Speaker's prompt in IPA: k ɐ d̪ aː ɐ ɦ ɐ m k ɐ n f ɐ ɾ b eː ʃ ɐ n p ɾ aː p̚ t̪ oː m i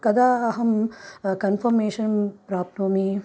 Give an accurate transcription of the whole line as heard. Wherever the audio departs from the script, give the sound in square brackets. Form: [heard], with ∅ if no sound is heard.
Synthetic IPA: k ɐ d̪ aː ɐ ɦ ɐ m k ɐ n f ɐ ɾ [m] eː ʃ ɐ n p ɾ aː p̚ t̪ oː m i